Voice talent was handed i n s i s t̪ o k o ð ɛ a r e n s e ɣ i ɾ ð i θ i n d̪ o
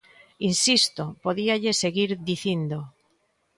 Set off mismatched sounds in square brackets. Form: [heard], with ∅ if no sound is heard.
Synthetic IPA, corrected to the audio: i n s i s t̪ o [p] o ð [i] a [ʎ] e [∅] s e ɣ i ɾ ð i θ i n d̪ o